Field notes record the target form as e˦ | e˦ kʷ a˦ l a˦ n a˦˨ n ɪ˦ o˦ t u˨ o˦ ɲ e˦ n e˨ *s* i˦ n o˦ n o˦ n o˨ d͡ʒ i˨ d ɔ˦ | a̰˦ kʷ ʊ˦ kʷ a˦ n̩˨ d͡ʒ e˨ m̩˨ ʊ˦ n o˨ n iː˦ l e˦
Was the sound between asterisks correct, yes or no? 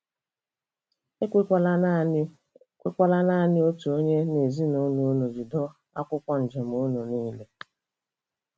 no